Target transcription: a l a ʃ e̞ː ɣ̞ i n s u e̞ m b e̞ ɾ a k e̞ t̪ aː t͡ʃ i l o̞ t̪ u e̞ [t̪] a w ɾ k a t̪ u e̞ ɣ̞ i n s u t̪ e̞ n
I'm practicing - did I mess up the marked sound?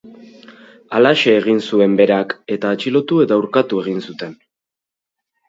no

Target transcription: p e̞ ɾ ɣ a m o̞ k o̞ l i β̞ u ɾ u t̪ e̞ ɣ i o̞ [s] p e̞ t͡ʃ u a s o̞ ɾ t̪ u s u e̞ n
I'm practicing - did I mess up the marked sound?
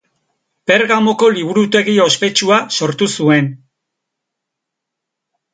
no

